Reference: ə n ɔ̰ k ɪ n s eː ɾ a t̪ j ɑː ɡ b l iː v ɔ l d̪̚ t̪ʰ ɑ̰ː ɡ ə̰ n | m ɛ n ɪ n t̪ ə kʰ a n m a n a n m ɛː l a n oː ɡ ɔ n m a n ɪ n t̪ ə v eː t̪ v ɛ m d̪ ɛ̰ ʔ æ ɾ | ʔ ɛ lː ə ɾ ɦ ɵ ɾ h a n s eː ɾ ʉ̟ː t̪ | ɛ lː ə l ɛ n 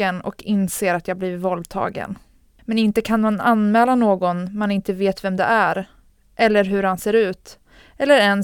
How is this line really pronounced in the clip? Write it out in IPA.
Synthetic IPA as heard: ə n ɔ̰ k ɪ n s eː ɾ a t̪ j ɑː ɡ b l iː v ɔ l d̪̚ t̪ʰ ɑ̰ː ɡ ə̰ n | m ɛ n ɪ n t̪ ə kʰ a n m a n a n m ɛː l a n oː ɡ ɔ n m a n ɪ n t̪ ə v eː t̪ v ɛ m d̪ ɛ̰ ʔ æ ɾ | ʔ ɛ lː ə ɾ ɦ ɵ ɾ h a n s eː ɾ ʉ̟ː t̪ | ɛ lː ə ɾ ɛ n